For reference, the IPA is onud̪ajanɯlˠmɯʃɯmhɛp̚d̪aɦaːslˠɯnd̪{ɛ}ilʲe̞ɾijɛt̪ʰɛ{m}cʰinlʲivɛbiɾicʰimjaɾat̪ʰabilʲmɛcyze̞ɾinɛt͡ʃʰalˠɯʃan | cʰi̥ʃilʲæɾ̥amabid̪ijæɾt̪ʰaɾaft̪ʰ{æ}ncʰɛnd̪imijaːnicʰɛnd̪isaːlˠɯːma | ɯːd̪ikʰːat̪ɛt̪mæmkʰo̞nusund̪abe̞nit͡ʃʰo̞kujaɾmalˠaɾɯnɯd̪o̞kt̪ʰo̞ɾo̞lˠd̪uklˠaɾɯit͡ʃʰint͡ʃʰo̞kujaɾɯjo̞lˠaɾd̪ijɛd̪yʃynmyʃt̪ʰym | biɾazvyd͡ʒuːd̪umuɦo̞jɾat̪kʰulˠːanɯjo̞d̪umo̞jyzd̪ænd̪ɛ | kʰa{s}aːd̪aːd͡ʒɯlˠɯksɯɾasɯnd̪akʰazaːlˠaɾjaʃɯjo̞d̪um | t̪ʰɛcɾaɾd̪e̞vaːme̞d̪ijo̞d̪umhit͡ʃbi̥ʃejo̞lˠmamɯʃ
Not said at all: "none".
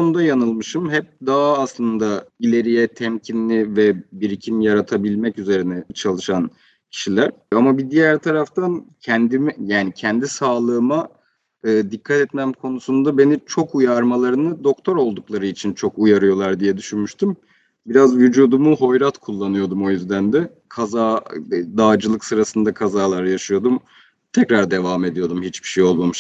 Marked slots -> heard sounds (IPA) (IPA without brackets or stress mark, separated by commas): a, m, a, z